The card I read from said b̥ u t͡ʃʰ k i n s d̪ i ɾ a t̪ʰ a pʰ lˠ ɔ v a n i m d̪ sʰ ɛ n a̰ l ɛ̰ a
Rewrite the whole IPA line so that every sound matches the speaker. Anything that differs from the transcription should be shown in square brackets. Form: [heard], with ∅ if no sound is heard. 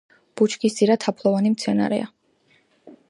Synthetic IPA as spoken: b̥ u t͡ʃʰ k i [∅] s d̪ i ɾ a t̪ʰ a pʰ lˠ ɔ v a n i m [t̪] sʰ ɛ n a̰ [ɾ] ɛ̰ a

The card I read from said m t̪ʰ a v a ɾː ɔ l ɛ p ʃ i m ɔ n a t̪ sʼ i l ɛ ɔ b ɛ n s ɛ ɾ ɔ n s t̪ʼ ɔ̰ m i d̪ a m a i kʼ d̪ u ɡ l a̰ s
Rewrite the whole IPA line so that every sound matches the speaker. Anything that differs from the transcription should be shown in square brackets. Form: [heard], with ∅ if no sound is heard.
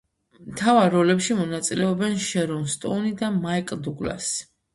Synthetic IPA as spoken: m t̪ʰ a v a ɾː ɔ l ɛ p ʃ i m ɔ n a t̪ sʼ i l ɛ ɔ b ɛ n [ʃ] ɛ ɾ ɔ n s t̪ʼ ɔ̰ [n] i d̪ a m a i kʼ d̪ u ɡ l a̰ s

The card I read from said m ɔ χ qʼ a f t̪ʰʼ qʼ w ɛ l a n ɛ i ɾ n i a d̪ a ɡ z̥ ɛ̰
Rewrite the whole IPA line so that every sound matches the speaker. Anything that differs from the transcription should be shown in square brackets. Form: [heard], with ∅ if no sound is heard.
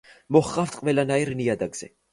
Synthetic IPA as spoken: m ɔ χ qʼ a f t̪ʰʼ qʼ [v] ɛ l a n [a] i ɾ n i a d̪ a ɡ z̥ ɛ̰

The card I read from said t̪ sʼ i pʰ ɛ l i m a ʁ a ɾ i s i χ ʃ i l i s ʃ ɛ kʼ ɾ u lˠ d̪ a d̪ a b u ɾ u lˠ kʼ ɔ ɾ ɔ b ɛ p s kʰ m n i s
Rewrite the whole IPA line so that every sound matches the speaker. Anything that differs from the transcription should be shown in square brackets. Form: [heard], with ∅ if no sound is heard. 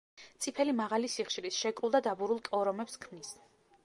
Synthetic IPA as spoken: t̪ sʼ i pʰ ɛ l i m a ʁ a [l] i s i χ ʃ i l i s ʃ ɛ kʼ ɾ u lˠ d̪ a d̪ a b u ɾ u lˠ kʼ ɔ ɾ ɔ [m] ɛ p s kʰ m n i s

